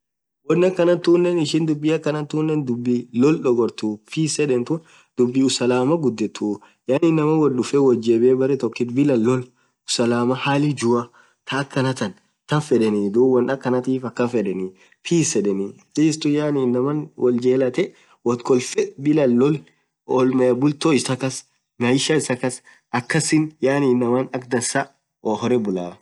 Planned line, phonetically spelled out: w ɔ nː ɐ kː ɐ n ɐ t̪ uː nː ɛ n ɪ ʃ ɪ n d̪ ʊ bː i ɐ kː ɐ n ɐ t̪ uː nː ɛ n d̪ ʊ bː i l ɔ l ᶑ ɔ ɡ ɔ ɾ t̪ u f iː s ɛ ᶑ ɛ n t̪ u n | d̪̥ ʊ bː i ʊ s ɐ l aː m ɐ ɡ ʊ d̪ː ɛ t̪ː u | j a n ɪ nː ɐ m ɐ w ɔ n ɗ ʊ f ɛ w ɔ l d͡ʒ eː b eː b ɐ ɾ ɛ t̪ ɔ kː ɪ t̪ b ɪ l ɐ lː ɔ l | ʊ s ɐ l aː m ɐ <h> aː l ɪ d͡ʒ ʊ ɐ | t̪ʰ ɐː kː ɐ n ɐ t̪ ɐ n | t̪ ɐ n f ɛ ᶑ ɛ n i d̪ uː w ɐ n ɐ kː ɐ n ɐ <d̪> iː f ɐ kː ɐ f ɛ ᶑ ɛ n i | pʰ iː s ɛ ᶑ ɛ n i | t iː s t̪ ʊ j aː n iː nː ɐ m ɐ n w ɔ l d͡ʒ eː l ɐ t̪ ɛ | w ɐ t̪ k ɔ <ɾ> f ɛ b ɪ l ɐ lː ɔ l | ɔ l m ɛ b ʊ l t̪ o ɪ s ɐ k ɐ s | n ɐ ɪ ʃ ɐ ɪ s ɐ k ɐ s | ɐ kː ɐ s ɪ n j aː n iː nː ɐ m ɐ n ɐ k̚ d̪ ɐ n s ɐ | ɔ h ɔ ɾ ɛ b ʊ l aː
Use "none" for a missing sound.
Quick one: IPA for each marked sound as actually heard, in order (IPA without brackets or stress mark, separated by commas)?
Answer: h, t̪, l